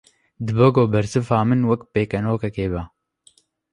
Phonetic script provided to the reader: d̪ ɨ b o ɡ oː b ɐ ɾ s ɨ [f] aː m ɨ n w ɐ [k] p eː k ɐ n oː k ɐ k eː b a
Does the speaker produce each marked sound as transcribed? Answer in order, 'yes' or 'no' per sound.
yes, yes

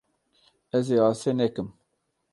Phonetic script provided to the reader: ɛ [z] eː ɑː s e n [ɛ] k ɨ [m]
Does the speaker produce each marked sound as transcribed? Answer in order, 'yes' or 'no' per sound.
yes, yes, yes

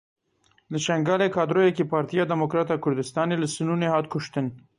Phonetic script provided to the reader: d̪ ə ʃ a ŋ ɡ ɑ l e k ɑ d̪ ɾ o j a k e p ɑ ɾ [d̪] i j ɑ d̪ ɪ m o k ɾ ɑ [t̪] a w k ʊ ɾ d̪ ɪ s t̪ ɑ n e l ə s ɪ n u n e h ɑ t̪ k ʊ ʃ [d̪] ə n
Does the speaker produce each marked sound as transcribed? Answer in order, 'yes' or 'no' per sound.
no, yes, no

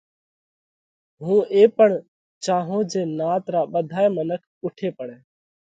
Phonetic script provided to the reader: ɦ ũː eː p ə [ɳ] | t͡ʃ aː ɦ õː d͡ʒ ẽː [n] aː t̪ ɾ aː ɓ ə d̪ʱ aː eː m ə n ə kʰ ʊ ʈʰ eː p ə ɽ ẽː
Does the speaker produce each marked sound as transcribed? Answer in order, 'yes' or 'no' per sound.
yes, yes

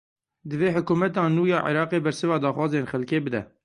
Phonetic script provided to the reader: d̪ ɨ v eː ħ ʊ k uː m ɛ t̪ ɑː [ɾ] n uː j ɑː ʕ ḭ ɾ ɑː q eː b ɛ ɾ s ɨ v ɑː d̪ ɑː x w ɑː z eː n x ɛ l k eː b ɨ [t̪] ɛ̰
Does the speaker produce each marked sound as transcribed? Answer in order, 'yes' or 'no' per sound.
no, no

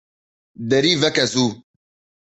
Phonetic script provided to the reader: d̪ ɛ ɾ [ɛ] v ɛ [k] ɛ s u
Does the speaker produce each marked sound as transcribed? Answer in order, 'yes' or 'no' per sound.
no, yes

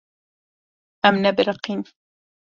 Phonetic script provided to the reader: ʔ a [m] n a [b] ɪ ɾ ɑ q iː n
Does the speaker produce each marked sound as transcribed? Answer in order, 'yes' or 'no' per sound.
yes, yes

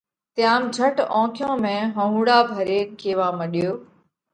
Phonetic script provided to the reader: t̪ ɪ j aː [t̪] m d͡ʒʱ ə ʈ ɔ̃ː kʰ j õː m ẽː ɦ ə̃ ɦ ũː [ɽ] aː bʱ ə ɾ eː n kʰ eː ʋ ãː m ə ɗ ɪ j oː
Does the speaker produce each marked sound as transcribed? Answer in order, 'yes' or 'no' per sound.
no, yes

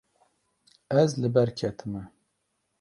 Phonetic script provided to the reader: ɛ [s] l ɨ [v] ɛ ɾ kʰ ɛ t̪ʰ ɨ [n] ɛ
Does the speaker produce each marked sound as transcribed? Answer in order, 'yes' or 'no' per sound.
no, no, no

